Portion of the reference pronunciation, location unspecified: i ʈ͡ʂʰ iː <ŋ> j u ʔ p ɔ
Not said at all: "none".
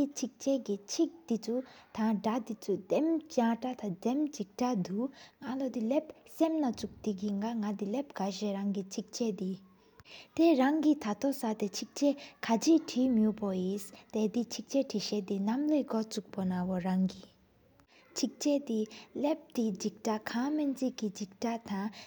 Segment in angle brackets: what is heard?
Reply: m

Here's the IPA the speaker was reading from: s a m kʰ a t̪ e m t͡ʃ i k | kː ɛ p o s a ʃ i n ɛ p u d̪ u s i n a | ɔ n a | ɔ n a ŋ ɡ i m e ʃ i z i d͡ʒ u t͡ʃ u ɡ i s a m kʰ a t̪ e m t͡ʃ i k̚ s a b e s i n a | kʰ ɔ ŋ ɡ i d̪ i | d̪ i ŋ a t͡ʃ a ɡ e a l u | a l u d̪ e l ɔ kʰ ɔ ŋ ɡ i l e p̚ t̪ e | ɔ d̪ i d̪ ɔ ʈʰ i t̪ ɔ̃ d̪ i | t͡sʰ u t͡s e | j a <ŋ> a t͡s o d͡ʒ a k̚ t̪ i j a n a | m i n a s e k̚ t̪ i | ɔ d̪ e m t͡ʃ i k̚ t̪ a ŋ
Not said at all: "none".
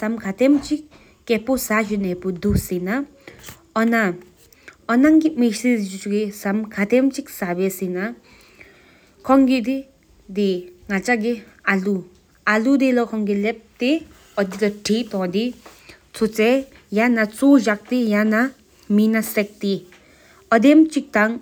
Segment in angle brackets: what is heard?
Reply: n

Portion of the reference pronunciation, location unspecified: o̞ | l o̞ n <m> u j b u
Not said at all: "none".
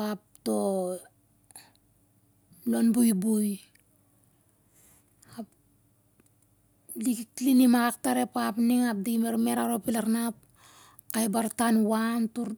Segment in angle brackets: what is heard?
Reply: b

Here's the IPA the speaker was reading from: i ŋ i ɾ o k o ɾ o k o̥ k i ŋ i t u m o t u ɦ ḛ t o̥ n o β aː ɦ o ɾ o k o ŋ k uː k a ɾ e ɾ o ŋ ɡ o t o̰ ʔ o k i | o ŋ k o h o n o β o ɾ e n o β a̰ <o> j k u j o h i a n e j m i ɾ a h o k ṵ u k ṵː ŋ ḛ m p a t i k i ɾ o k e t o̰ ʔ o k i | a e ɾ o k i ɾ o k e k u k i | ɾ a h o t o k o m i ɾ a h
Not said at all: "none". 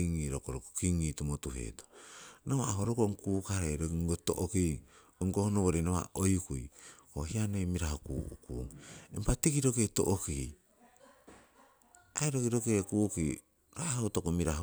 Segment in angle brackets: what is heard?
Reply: o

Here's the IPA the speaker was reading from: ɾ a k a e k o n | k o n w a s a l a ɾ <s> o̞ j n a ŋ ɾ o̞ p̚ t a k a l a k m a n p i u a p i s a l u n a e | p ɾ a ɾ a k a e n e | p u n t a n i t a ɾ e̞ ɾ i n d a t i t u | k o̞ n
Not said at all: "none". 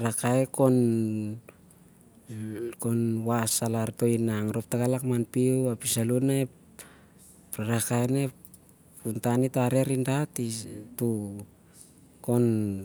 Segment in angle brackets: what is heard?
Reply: t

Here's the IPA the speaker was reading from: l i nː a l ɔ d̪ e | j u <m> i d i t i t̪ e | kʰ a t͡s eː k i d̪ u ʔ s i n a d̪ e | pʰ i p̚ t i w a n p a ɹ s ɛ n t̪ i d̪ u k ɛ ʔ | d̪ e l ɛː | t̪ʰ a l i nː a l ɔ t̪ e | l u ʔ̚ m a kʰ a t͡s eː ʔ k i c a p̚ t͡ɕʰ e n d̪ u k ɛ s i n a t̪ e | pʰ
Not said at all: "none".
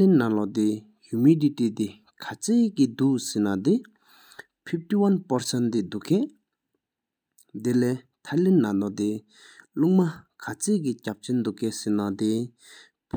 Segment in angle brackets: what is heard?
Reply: m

